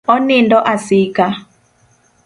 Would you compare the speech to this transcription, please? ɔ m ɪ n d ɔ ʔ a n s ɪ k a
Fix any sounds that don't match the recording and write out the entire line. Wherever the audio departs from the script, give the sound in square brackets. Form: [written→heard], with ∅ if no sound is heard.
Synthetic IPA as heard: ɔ [m→n] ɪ n d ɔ ʔ a [n→∅] s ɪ k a